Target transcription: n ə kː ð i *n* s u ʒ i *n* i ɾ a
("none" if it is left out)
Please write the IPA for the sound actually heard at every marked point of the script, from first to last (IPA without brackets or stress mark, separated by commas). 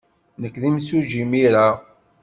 m, m